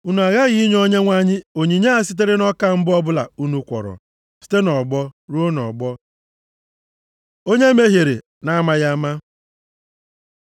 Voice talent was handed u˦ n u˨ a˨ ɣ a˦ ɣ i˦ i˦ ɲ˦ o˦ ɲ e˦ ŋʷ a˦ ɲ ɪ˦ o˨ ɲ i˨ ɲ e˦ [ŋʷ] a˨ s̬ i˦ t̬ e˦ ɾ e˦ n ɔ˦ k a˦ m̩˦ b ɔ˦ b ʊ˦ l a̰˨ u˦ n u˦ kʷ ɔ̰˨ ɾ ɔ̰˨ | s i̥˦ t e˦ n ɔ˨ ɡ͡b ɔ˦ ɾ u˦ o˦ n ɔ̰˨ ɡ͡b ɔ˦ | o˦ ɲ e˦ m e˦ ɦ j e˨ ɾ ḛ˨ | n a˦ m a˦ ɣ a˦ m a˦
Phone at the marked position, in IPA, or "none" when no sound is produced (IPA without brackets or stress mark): none